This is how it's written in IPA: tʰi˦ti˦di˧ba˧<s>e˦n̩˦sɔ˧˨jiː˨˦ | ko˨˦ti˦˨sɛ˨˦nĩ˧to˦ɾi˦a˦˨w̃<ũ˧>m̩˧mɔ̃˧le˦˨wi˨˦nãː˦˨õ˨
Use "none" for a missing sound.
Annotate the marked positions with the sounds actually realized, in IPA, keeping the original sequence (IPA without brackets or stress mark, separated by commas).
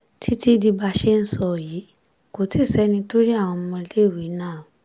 ʃ, ɔ̃˧